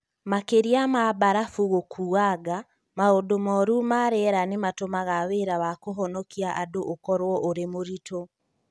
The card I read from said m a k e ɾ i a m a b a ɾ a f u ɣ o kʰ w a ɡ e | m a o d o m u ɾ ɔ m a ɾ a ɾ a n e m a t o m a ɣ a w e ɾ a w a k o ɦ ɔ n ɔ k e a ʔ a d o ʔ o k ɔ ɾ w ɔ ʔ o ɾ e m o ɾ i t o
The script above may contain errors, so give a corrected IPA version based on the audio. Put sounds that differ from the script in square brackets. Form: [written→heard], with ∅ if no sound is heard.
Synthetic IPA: m a k e ɾ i a m a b a ɾ a f u ɣ o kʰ [w→u] a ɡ [e→a] | m a o d o m [u→ɔ] ɾ [ɔ→u] m a ɾ [a→ɛ] ɾ a n e m a t o m a ɣ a w e ɾ a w a k o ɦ ɔ n ɔ k [e→i] a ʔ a d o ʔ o k ɔ ɾ w ɔ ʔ o ɾ e m o ɾ i t o